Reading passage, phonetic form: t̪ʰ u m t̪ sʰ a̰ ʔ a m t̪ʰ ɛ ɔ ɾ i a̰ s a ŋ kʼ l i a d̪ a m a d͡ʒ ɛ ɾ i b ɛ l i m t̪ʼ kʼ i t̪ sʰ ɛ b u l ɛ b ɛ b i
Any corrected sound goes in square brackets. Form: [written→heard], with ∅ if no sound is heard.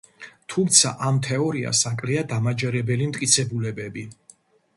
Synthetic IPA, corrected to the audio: t̪ʰ u m t̪ sʰ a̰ ʔ a m t̪ʰ ɛ ɔ ɾ i a̰ s a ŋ kʼ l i a d̪ a m a d͡ʒ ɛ ɾ [i→ɛ] b ɛ l i m t̪ʼ kʼ i t̪ sʰ ɛ b u l ɛ b ɛ b i

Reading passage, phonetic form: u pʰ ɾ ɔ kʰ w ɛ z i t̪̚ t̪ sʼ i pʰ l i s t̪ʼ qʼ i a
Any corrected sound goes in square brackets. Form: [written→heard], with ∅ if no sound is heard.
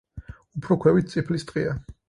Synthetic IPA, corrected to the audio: u pʰ ɾ ɔ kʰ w ɛ [z→v] i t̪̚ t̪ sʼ i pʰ l i s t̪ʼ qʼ i a

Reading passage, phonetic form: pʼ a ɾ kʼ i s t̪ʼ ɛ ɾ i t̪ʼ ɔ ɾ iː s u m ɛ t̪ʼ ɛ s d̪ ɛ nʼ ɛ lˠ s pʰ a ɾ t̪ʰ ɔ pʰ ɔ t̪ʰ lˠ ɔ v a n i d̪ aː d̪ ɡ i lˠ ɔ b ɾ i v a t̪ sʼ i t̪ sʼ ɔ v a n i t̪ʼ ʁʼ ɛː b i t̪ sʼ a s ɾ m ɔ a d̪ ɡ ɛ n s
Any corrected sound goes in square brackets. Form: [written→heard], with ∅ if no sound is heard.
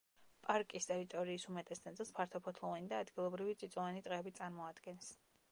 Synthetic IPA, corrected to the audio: pʼ a ɾ kʼ i s t̪ʼ ɛ ɾ i t̪ʼ ɔ ɾ iː s u m ɛ t̪ʼ ɛ s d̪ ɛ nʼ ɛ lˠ s pʰ a ɾ t̪ʰ ɔ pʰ ɔ t̪ʰ lˠ ɔ v a n i d̪ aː d̪ ɡ i lˠ ɔ b ɾ i v [a→i] t̪ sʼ i t̪ sʼ ɔ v a n i t̪ʼ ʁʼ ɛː b i t̪ sʼ a [s→∅] ɾ m ɔ a d̪ ɡ ɛ n s

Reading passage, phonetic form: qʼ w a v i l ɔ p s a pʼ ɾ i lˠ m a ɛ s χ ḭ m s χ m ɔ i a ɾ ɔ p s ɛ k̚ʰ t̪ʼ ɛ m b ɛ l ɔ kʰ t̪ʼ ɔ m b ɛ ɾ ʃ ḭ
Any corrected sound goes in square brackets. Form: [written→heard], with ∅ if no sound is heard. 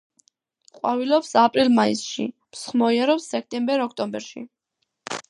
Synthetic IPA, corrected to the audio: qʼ w a v i l ɔ p s a pʼ ɾ i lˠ m a [ɛ→i] s [χ→ʃ] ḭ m s χ m ɔ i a ɾ ɔ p s ɛ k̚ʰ t̪ʼ ɛ m b ɛ [l→ɾ] ɔ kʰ t̪ʼ ɔ m b ɛ ɾ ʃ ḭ

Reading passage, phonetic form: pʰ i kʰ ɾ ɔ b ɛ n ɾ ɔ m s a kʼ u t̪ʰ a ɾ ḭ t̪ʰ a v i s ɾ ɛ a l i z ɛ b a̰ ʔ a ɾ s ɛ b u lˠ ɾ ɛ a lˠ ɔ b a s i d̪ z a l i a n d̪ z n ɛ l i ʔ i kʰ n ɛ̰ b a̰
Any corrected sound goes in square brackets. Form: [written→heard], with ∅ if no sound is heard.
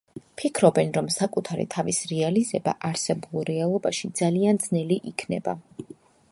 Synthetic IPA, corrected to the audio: pʰ i kʰ ɾ ɔ b ɛ n ɾ ɔ m s a kʼ u t̪ʰ a ɾ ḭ t̪ʰ a v i s ɾ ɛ a l i z ɛ b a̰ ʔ a ɾ s ɛ b u lˠ ɾ ɛ a lˠ ɔ b a [s→ʃ] i d̪ z a l i a n d̪ z n ɛ l i ʔ i kʰ n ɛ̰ b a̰

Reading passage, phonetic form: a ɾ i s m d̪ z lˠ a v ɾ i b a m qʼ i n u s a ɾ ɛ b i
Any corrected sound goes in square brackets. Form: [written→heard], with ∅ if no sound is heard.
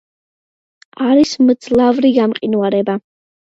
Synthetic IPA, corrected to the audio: a ɾ i s m d̪ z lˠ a v ɾ i [b→ɡ] a m qʼ i n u [s→∅] a ɾ ɛ b [i→a]

